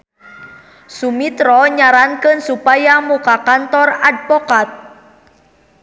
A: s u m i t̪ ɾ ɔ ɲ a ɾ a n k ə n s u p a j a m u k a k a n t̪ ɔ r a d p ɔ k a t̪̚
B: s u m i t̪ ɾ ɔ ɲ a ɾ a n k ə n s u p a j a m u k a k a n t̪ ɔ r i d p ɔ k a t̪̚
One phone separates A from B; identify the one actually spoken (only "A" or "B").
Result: A